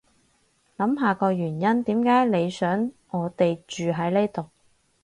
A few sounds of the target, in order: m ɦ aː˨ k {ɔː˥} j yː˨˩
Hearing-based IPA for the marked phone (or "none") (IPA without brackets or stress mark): ɔː˧